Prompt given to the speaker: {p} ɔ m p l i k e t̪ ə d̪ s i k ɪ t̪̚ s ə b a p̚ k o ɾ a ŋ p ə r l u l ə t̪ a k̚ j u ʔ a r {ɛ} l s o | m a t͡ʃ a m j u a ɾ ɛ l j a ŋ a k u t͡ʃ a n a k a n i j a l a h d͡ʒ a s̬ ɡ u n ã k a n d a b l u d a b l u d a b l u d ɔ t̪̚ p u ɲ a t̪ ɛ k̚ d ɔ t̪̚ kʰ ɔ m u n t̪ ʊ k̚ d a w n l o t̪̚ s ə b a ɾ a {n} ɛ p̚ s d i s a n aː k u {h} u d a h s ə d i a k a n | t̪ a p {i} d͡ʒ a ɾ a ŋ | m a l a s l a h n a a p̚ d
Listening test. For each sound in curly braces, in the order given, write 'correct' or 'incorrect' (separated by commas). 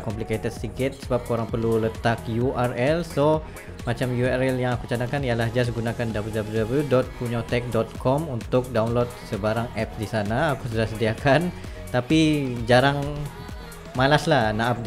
incorrect, correct, incorrect, incorrect, correct